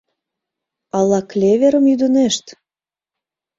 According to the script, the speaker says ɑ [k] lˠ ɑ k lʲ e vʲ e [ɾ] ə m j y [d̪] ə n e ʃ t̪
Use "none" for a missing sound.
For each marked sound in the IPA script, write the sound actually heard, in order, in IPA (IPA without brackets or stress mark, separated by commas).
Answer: none, ɾ, d̪